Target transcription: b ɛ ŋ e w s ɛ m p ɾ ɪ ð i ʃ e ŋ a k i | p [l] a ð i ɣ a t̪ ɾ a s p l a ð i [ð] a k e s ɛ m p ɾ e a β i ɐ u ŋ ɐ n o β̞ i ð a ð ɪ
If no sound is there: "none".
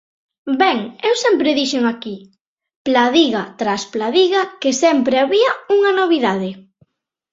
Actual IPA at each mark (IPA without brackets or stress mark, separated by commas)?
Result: l, ɣ